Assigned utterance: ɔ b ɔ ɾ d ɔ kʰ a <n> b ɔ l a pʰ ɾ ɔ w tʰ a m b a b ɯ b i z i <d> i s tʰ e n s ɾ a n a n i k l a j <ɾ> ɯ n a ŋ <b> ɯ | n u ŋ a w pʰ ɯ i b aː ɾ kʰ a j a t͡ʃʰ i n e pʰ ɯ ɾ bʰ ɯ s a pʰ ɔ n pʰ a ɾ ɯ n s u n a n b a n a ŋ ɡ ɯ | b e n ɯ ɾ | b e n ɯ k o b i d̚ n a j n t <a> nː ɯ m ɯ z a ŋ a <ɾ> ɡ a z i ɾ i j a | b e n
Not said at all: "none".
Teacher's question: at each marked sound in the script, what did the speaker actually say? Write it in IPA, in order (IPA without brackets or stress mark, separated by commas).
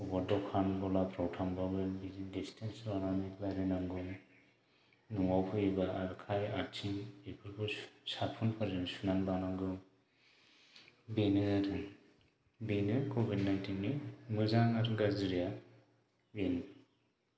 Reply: n, d, ɾ, ɡ, i, ɾ